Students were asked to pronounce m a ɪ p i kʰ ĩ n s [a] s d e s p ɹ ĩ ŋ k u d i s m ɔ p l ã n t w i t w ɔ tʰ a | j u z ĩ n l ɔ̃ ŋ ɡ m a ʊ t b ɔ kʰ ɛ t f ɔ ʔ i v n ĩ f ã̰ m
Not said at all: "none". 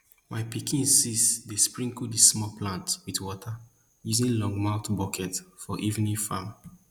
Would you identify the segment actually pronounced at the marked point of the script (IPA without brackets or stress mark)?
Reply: i